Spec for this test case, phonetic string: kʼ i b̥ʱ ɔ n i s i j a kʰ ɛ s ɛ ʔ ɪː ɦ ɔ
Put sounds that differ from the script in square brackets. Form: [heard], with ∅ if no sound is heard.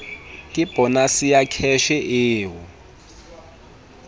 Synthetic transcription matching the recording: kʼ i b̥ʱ ɔ n [a] s i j a kʰ ɛ [ʃ] ɛ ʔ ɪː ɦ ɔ